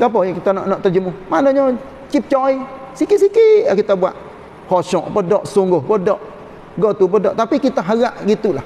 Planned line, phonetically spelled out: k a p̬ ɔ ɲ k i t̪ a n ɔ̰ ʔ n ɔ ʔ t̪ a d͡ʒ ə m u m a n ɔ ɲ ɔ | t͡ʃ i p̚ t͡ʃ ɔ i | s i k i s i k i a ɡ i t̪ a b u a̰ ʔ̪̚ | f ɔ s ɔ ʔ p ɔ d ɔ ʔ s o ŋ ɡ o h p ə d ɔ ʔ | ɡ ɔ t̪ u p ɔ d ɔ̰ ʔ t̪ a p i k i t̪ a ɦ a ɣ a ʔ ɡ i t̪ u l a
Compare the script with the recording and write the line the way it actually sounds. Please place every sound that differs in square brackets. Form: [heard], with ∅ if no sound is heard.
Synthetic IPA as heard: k a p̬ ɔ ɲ k i t̪ a n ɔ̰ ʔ n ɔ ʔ t̪ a d͡ʒ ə m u m a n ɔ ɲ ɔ | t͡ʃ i p̚ t͡ʃ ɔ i | s i k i s i k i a [k] i t̪ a b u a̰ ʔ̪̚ | [h] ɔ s ɔ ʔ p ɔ d ɔ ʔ s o ŋ ɡ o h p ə d ɔ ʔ | ɡ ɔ t̪ u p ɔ d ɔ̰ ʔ t̪ a p i k i t̪ a ɦ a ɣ a ʔ ɡ i t̪ u l a